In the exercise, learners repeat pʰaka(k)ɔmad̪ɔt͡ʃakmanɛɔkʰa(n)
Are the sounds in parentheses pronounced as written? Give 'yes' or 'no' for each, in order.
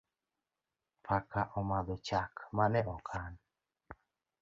no, yes

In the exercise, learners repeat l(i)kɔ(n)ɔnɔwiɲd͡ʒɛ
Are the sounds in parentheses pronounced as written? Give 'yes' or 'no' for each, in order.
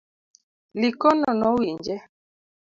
yes, yes

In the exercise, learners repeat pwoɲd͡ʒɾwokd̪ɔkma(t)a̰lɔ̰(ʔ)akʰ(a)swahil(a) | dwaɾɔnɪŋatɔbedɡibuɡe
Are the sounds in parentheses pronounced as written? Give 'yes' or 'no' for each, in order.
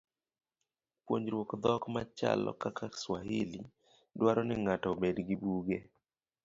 no, no, yes, no

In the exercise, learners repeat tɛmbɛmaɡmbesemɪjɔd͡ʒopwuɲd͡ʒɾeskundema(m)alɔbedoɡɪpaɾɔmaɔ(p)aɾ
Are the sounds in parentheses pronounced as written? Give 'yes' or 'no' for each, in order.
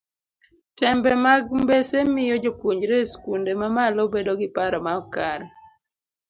yes, no

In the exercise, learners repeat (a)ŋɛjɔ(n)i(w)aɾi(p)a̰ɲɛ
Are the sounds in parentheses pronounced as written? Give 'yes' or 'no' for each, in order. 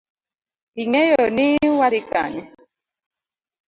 no, yes, yes, no

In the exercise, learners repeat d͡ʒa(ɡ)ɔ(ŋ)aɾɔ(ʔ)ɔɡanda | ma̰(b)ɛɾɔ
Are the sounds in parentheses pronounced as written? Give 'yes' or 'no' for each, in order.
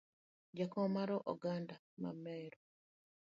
no, no, yes, no

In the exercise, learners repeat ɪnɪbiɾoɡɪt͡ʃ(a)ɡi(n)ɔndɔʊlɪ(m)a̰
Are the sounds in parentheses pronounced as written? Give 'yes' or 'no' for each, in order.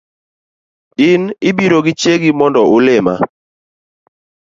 no, no, yes

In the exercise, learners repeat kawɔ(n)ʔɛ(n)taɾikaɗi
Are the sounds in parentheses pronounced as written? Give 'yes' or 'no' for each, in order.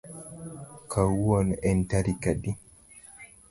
yes, yes

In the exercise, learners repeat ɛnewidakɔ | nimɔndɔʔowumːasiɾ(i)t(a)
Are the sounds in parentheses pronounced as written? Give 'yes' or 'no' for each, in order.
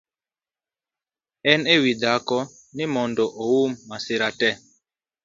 no, no

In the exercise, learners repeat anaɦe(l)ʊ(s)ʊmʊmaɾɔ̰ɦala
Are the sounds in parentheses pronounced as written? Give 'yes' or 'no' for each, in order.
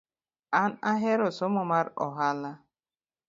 no, yes

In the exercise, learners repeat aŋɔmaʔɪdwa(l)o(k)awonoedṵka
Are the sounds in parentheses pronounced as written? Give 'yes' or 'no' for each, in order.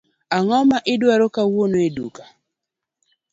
no, yes

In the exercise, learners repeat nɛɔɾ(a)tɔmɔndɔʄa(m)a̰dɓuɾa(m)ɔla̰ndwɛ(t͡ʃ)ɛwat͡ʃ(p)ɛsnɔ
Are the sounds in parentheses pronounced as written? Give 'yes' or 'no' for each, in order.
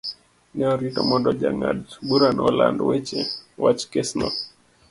no, no, no, yes, no

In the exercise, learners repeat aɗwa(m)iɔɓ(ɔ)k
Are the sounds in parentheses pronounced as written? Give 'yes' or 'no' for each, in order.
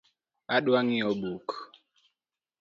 no, no

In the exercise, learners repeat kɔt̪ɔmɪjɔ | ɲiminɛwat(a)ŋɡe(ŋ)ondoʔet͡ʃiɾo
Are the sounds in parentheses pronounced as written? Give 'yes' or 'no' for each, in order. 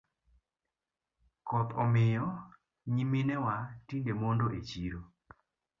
no, no

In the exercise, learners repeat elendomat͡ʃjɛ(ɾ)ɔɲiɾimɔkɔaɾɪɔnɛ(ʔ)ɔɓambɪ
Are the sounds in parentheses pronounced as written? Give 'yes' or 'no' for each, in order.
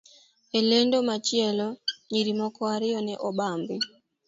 no, yes

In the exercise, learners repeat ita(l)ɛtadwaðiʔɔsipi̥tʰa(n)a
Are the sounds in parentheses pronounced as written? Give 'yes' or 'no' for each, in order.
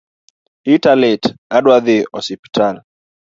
yes, yes

